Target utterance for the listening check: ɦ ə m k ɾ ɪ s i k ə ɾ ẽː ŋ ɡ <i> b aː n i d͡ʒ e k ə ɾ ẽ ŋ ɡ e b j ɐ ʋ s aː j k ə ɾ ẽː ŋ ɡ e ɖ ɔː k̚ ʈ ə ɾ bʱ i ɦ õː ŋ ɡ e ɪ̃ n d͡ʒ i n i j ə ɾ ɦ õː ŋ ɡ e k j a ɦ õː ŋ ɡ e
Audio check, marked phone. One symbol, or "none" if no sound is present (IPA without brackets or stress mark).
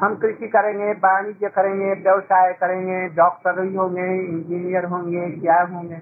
e